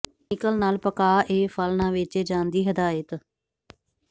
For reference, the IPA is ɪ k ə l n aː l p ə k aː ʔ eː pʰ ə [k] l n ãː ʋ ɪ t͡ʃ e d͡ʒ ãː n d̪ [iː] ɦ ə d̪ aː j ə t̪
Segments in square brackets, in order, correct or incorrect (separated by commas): incorrect, correct